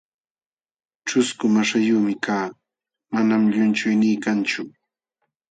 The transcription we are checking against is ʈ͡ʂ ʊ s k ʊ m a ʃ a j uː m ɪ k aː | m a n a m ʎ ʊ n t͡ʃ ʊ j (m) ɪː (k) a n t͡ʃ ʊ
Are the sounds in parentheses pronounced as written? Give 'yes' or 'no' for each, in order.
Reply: no, yes

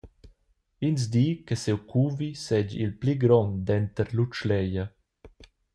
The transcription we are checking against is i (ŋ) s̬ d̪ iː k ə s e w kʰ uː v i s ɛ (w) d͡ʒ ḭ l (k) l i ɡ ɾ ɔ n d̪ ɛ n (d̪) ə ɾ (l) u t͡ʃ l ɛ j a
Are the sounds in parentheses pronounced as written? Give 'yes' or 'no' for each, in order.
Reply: no, no, no, no, yes

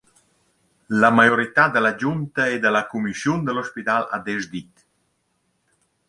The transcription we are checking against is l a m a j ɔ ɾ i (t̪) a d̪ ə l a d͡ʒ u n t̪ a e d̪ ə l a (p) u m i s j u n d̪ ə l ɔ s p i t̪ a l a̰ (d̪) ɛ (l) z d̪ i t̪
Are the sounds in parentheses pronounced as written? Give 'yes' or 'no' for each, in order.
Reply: yes, no, yes, no

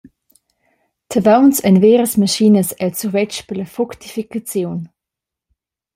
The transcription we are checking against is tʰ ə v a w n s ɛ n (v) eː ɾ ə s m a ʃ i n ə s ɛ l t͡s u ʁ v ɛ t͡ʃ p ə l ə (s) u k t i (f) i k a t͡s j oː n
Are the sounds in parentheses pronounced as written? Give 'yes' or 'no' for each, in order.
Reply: yes, no, yes

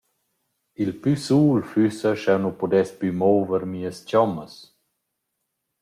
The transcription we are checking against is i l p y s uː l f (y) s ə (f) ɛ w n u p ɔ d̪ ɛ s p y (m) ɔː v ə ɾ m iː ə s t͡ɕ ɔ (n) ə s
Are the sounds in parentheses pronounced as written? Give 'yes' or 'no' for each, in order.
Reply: yes, no, yes, no

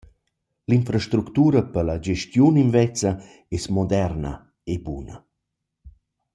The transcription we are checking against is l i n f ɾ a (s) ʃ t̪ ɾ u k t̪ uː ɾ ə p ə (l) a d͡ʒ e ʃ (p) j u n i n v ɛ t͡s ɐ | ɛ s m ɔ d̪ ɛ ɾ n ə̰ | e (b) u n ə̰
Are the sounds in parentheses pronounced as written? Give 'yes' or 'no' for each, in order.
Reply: no, yes, no, yes

